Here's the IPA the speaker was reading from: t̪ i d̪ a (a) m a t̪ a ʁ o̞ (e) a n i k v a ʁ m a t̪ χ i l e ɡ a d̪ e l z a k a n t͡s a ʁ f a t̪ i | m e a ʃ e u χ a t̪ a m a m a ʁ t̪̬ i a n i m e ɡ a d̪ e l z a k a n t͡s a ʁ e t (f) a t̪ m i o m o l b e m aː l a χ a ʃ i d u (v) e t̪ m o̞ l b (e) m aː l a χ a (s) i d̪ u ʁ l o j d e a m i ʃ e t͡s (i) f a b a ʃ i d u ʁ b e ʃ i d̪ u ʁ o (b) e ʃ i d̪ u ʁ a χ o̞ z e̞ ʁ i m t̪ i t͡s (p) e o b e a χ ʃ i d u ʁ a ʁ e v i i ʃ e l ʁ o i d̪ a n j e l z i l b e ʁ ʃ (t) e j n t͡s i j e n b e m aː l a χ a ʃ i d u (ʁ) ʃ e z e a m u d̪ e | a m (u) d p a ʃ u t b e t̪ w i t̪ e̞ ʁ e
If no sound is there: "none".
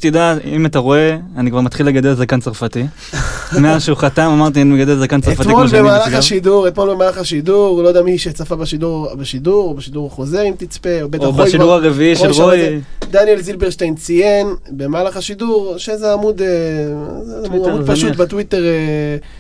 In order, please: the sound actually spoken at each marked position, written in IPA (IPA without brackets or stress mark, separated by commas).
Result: i, e, f, ʁ, e, ʃ, a, b, p, t, ʁ, u